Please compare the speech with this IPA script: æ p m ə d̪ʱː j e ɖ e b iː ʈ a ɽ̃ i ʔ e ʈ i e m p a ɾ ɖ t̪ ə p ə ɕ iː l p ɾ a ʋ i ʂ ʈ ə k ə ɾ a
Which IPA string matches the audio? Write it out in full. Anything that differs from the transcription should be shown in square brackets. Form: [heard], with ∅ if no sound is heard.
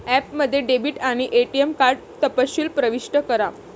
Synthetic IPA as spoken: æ p m ə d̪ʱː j e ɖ e b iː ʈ a ɽ̃ i ʔ e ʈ i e m [k] a ɾ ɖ t̪ ə p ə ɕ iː l p ɾ [ə] ʋ i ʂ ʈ ə k ə ɾ a